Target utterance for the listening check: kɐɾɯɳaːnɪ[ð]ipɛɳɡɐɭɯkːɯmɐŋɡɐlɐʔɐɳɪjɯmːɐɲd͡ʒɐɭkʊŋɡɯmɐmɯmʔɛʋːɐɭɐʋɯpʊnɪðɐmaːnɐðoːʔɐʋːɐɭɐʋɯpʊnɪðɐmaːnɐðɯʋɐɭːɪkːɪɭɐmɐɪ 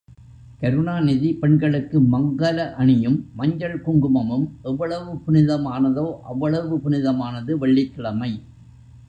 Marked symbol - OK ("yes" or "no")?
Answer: yes